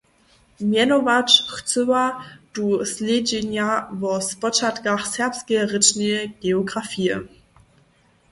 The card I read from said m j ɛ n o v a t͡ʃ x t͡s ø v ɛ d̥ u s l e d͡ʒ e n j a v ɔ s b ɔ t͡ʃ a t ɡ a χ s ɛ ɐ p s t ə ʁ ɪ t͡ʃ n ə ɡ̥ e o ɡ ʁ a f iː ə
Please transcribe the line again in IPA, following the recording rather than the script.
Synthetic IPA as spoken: m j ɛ n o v a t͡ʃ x t͡s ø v a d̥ u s l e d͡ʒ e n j a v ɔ s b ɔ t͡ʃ a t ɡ a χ s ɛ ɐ p s k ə ʁ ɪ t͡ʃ n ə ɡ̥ e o ɡ ʁ a f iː ə